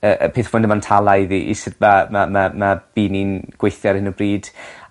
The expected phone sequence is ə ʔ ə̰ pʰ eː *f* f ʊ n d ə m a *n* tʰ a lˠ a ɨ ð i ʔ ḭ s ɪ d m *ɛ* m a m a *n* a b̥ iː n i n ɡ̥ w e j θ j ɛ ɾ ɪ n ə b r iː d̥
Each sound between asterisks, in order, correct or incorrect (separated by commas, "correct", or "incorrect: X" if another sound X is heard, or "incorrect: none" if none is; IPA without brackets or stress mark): incorrect: θ, correct, incorrect: a, incorrect: m